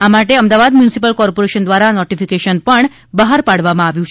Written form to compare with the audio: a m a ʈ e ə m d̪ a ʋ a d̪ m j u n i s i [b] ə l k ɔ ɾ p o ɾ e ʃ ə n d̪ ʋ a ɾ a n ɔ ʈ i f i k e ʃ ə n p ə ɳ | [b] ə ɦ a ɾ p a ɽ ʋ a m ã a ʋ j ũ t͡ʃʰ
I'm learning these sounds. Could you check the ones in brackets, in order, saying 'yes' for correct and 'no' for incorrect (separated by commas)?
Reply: no, yes